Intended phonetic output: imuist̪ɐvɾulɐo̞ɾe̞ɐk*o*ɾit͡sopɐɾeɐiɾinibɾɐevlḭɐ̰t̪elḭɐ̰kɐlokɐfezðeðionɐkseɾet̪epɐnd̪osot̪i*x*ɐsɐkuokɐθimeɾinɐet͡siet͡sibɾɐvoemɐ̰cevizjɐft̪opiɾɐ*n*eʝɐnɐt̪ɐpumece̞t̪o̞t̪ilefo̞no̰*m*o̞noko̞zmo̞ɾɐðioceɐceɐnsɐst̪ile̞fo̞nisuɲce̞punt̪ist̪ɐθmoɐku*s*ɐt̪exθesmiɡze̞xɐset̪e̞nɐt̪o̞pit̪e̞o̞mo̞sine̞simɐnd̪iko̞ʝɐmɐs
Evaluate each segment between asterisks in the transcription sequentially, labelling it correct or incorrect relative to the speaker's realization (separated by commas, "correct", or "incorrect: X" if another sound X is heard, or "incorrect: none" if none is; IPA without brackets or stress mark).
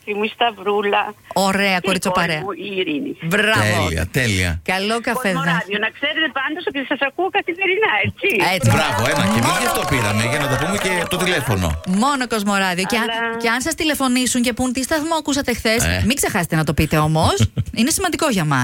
correct, incorrect: s, incorrect: m, correct, correct